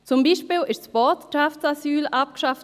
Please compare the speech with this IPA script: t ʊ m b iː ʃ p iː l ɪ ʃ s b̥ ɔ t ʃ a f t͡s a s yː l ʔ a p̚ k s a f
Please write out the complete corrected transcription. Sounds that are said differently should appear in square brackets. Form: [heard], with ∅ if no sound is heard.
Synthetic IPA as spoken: [t͡s] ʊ m b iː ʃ p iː l ɪ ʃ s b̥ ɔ t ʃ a f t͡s a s yː l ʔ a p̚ k [ʃ] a f